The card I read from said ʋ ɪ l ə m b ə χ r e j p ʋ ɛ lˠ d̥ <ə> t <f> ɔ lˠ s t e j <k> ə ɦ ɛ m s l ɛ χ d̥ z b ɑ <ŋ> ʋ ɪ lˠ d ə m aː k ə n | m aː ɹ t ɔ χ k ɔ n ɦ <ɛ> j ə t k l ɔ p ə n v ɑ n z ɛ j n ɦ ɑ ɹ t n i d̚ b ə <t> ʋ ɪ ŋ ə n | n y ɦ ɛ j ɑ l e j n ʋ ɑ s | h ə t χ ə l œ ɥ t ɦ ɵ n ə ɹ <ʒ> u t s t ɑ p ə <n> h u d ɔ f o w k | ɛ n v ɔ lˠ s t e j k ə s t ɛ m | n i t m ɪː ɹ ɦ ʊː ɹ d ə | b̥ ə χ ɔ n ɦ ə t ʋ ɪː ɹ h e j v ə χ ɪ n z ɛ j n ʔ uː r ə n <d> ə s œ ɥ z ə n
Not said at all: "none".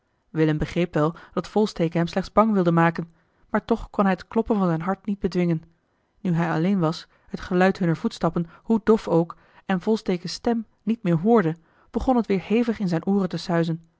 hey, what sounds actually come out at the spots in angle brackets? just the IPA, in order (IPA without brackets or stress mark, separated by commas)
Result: ɑ, f, k, ŋ, ɛ, d, v, n, t